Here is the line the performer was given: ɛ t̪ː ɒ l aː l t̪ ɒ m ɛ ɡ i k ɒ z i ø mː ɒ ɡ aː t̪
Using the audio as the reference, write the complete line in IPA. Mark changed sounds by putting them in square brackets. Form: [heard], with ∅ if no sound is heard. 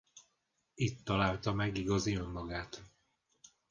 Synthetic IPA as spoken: [i] t̪ː ɒ l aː l t̪ ɒ m ɛ ɡ i [ɡ] ɒ z i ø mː ɒ ɡ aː t̪